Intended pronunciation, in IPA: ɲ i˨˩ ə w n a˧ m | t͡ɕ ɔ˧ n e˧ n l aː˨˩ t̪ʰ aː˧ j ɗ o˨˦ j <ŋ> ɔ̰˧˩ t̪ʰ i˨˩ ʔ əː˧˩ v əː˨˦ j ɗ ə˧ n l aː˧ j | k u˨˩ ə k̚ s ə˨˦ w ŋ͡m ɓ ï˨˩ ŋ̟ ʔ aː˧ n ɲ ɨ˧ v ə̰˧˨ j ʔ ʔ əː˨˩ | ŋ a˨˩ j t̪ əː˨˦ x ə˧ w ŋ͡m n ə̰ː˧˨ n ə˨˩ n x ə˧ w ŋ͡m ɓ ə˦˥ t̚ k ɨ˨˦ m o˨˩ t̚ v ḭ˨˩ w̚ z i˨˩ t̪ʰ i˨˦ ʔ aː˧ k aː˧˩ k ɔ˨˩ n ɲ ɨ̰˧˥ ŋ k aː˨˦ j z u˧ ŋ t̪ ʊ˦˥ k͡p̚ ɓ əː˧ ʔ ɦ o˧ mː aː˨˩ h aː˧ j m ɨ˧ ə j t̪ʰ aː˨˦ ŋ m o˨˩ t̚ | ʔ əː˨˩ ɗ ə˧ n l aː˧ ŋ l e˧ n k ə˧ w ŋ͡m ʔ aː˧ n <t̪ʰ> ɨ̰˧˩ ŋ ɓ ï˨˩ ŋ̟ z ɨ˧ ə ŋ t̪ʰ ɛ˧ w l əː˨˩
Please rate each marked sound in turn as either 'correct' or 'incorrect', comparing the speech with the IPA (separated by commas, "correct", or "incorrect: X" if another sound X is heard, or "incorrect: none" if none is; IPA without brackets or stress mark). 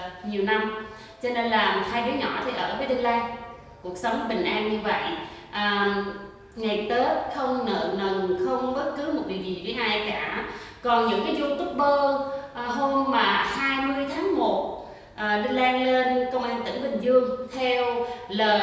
incorrect: ɲ, incorrect: t̪